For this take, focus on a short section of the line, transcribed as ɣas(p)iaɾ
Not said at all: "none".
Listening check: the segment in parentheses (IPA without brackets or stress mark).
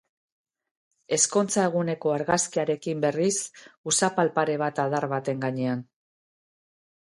k